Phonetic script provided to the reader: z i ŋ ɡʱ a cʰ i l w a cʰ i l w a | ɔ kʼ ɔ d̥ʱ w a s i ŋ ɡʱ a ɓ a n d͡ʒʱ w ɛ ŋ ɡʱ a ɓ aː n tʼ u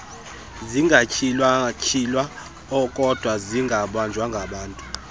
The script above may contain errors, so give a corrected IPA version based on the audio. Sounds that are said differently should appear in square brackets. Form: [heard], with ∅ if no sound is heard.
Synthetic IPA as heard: z i ŋ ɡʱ a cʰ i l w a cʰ i l w a | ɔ kʼ ɔ d̥ʱ w a [z] i ŋ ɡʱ a ɓ a n d͡ʒʱ w [a] ŋ ɡʱ a ɓ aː n tʼ u